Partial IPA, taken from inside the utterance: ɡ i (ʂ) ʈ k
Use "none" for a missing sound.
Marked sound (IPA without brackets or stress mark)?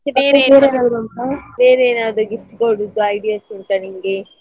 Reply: f